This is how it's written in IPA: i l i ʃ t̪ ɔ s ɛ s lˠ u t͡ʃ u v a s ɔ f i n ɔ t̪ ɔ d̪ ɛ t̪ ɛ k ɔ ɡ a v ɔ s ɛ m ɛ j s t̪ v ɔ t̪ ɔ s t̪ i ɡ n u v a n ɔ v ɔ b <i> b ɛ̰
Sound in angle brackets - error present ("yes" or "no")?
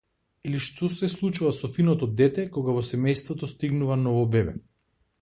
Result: yes